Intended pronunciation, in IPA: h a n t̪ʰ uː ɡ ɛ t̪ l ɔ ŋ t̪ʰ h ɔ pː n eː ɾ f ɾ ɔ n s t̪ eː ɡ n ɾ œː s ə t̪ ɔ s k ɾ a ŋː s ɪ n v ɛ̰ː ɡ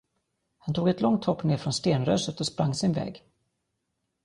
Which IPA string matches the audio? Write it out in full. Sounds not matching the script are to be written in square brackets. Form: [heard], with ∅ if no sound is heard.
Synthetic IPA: h a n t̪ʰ uː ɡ ɛ t̪ l ɔ ŋ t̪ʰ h ɔ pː n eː ɾ f ɾ ɔ n s t̪ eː [∅] n ɾ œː s ə t̪ ɔ s [p] ɾ a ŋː s ɪ n v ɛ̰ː ɡ